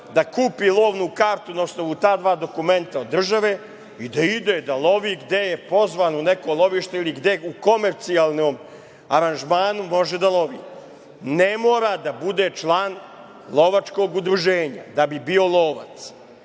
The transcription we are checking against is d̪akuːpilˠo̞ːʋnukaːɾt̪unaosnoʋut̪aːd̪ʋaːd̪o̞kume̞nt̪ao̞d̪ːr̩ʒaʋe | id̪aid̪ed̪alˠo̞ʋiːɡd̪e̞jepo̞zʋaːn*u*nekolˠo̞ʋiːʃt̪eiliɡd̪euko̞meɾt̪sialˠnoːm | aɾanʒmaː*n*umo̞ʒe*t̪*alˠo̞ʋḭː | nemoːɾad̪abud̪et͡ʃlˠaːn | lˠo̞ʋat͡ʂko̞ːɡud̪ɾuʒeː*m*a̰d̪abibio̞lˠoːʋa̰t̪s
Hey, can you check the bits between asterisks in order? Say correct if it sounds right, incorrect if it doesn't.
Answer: correct, correct, incorrect, incorrect

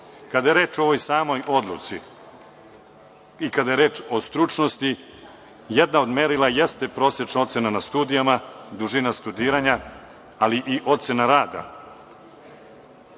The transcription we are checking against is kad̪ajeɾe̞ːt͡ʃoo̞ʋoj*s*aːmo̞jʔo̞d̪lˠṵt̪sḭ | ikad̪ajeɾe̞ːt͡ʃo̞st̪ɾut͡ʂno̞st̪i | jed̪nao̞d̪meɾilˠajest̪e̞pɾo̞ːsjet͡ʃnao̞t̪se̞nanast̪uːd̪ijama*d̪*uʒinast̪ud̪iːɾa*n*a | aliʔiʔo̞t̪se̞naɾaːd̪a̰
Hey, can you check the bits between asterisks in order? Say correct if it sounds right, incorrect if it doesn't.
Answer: correct, correct, incorrect

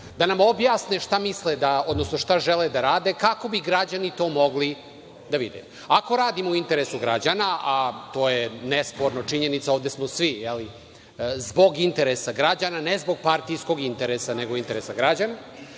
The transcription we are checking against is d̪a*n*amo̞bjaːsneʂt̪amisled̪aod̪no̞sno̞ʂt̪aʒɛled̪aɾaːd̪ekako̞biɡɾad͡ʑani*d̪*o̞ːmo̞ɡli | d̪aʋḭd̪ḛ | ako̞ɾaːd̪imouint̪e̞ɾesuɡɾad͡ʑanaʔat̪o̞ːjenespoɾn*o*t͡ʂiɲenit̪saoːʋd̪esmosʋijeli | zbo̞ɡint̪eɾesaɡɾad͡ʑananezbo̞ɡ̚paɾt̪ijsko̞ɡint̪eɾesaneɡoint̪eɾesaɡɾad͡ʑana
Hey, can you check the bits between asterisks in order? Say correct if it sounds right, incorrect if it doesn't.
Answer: correct, incorrect, correct

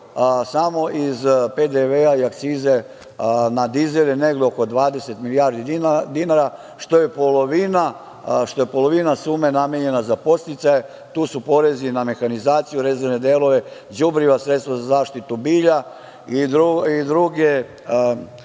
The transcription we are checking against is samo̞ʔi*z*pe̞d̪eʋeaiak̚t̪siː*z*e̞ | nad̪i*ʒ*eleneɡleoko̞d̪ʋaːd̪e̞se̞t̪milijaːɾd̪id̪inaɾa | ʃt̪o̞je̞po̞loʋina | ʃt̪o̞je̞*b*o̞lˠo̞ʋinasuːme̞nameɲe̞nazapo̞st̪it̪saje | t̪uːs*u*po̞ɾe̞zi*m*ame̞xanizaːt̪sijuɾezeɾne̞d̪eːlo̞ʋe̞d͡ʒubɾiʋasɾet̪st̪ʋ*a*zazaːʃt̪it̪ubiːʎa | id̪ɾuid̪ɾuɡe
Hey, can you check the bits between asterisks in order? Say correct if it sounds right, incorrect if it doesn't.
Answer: correct, correct, incorrect, incorrect, correct, incorrect, correct

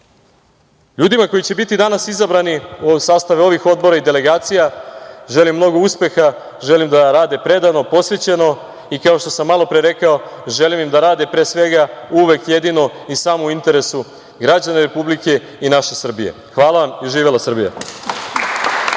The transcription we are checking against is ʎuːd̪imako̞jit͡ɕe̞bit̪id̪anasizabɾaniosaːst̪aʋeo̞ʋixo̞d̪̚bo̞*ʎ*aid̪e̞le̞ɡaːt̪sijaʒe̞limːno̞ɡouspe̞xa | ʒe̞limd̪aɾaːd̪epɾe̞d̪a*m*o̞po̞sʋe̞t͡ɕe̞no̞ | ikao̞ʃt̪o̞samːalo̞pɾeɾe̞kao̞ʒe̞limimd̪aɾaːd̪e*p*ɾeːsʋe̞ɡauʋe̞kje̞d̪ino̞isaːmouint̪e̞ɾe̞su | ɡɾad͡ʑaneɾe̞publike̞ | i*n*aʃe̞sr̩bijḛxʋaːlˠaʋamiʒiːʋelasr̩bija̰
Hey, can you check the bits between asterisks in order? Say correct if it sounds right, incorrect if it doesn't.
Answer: incorrect, incorrect, correct, correct

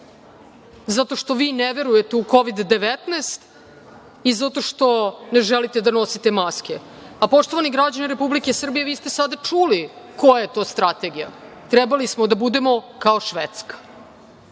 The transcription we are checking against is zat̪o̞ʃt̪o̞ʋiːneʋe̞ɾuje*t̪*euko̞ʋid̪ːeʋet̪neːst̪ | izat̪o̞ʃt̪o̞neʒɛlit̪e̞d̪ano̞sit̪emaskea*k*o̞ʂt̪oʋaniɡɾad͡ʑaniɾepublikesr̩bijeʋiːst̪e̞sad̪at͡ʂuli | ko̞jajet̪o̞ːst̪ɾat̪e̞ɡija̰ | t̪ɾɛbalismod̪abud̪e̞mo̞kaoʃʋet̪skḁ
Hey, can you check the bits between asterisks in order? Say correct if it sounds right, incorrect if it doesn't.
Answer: correct, incorrect

